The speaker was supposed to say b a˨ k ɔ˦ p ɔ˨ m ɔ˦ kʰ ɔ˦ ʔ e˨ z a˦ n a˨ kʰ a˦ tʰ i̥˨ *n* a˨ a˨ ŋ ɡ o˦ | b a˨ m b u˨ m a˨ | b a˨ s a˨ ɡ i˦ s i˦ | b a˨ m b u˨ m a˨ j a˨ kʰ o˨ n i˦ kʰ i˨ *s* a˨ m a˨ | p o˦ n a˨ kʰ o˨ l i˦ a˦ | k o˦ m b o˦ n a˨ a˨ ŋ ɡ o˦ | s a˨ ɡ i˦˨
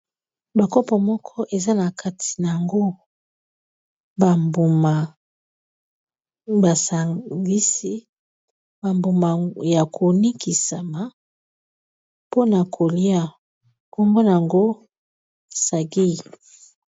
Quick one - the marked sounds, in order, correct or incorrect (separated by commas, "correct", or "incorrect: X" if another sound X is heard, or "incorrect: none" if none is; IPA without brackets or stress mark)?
correct, correct